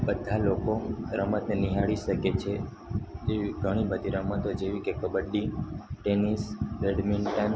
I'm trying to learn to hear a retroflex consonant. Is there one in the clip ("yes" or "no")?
yes